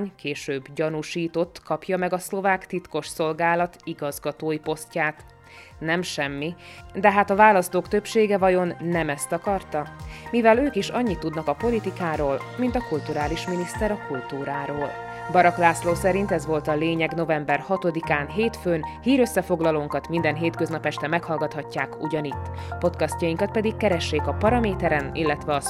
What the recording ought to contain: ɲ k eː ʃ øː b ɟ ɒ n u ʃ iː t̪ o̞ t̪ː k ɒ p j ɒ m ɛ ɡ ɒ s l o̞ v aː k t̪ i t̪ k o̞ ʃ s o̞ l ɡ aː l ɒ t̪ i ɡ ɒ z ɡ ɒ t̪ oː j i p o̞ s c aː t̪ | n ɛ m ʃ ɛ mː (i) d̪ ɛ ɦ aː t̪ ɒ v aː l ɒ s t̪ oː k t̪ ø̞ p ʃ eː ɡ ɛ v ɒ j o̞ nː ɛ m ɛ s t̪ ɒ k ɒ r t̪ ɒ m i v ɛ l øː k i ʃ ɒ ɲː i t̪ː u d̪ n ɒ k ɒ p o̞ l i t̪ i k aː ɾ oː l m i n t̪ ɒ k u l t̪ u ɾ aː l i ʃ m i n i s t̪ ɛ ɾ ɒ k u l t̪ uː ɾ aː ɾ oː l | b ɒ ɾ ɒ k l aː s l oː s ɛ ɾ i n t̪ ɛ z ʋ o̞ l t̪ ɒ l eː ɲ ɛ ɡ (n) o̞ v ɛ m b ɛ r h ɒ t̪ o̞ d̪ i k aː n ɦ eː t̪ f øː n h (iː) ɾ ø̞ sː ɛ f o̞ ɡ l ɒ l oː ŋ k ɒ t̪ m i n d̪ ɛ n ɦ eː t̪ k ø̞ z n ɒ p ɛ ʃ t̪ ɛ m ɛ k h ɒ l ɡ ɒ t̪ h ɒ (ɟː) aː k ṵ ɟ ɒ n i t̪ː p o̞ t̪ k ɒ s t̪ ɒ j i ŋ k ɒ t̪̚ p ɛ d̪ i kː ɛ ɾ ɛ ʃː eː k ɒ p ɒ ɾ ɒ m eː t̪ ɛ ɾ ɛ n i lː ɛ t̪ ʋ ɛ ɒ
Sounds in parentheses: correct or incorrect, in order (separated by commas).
correct, correct, correct, incorrect